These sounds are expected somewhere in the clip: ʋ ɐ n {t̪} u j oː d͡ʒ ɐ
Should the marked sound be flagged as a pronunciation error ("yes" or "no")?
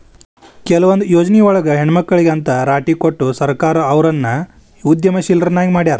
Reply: yes